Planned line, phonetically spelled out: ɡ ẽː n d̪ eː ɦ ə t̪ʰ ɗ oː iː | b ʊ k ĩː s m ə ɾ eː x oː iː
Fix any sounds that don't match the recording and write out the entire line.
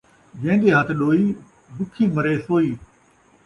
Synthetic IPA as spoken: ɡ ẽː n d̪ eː ɦ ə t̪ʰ ɗ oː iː | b ʊ kʰ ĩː m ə ɾ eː s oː iː